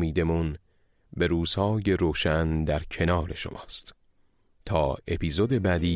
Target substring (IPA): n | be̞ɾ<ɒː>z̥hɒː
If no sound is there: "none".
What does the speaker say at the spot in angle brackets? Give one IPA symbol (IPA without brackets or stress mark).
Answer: uː